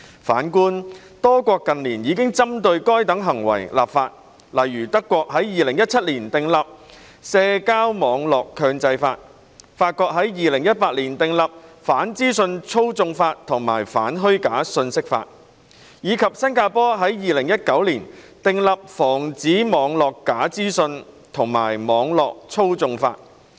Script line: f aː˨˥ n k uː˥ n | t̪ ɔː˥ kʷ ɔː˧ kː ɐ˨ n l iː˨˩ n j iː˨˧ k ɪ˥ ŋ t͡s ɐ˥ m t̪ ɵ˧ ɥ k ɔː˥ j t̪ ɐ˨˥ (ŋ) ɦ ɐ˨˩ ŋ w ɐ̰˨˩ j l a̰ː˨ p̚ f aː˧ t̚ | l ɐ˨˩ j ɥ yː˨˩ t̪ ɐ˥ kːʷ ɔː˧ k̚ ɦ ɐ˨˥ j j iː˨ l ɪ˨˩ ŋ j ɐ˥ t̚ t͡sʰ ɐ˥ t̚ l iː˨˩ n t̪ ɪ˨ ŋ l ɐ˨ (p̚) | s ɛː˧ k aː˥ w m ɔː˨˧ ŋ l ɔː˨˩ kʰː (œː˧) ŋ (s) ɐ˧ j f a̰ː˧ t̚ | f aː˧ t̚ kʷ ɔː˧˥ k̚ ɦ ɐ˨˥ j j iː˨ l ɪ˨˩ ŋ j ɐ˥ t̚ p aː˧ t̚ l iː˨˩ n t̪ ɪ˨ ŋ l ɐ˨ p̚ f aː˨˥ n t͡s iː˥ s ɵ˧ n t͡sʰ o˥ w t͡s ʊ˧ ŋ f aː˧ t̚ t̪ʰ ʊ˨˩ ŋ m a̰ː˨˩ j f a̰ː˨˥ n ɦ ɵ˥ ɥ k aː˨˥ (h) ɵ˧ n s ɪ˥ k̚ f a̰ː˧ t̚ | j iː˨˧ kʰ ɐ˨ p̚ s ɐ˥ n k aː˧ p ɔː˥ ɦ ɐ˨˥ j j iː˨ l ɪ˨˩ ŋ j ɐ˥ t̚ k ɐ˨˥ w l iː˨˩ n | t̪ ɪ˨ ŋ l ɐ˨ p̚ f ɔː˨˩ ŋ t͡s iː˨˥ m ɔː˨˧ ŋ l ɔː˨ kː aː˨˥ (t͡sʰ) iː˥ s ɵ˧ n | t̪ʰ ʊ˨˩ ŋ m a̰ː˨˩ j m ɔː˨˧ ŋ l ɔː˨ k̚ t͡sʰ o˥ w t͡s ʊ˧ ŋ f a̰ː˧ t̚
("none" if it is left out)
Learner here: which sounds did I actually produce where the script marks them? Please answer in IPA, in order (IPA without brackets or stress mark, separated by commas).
ŋ, p̚, œː˧, t͡s, s, t͡s